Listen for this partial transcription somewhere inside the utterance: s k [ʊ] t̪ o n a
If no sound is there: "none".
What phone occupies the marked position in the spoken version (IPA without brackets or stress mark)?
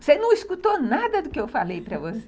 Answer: u